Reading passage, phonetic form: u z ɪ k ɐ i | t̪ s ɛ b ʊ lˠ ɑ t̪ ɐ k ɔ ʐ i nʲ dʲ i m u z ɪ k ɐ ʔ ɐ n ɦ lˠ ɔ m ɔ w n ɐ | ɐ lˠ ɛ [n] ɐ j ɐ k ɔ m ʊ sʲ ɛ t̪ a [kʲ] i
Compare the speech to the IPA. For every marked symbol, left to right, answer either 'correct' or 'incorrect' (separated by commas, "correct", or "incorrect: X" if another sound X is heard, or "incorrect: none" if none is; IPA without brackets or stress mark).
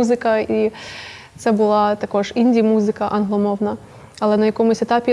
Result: correct, incorrect: pʲ